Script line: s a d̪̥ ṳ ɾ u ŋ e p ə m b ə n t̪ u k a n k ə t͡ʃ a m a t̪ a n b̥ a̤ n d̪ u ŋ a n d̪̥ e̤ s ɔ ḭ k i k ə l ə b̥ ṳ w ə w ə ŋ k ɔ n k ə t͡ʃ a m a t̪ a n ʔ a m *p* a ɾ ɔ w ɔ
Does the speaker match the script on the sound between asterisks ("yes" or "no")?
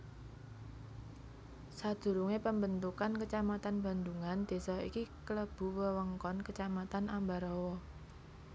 no